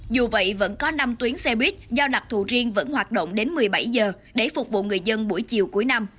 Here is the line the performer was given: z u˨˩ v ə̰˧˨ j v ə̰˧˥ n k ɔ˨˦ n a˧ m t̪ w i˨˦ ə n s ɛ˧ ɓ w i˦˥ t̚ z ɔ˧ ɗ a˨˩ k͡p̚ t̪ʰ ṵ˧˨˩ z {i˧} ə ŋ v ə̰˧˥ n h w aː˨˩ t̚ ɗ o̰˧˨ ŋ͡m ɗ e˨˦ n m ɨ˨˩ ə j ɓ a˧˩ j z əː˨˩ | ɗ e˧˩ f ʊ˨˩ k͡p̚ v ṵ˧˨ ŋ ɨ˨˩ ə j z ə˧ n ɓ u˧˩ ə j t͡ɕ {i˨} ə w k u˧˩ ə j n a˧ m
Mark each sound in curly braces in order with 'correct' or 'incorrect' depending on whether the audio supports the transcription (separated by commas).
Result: correct, correct